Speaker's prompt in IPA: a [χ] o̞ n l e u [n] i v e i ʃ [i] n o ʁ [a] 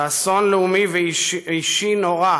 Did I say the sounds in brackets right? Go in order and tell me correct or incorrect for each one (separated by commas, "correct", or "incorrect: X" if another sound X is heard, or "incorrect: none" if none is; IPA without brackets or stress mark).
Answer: incorrect: s, incorrect: m, correct, correct